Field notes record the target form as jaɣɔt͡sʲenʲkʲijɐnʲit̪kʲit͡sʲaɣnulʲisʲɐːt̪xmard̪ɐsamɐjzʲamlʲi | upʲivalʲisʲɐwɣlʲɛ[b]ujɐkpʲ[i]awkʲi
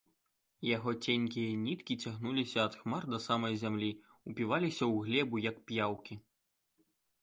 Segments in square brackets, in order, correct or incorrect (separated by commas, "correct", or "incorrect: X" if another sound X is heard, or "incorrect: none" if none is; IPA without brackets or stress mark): correct, incorrect: j